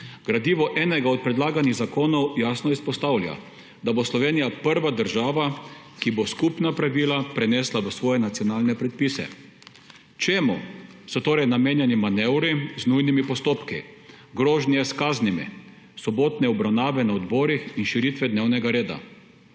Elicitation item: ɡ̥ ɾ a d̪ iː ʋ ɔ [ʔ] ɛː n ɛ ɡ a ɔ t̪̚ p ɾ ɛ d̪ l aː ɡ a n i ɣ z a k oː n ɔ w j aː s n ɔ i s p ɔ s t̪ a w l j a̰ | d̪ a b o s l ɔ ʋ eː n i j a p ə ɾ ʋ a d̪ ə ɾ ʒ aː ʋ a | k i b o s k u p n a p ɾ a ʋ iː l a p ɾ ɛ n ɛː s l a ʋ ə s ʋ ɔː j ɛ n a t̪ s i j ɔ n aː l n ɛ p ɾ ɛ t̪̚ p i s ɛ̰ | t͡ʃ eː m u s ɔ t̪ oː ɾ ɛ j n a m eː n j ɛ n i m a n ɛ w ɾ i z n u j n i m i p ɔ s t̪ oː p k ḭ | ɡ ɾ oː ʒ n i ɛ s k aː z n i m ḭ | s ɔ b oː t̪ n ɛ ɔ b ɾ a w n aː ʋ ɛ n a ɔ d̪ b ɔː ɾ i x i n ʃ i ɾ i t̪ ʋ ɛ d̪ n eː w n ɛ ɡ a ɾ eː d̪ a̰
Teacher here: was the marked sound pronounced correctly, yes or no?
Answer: yes